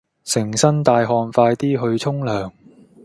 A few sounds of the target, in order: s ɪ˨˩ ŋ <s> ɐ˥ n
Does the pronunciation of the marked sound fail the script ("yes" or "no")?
no